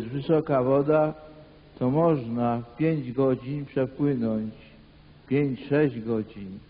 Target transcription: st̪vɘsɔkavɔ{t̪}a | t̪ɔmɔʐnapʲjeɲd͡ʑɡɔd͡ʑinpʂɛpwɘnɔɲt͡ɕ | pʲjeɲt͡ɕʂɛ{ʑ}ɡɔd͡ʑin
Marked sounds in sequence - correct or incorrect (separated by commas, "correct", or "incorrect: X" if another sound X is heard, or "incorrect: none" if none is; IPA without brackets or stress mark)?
incorrect: d̪, correct